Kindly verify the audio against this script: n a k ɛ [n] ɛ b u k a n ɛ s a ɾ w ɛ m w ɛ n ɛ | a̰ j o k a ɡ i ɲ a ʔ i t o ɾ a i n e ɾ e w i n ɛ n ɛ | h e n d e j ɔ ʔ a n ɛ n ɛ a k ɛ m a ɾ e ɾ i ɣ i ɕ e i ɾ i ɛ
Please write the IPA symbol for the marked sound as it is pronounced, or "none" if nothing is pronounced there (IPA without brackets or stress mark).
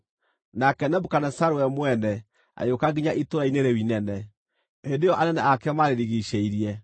n